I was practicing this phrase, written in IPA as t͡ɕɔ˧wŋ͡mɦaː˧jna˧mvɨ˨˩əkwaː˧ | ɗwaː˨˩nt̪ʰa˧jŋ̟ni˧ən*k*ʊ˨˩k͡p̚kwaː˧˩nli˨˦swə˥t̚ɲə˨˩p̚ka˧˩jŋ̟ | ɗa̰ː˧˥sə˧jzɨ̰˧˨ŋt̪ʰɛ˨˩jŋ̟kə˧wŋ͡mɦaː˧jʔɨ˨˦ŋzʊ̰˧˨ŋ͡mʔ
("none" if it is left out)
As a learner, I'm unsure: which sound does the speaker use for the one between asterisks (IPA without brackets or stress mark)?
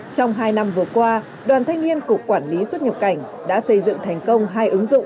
k